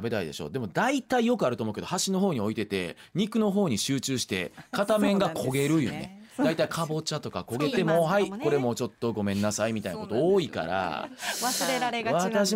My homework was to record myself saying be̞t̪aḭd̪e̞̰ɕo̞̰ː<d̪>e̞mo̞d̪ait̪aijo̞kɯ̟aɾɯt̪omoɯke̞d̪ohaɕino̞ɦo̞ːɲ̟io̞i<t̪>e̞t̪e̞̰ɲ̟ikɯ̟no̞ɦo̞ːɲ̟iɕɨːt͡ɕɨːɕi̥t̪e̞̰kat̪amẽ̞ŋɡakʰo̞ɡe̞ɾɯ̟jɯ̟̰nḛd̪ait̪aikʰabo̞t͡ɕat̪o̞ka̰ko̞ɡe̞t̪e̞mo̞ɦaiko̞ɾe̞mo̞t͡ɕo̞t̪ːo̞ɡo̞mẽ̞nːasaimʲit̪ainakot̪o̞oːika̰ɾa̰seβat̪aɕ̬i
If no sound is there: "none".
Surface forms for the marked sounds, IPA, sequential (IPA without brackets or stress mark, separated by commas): d̪, t̪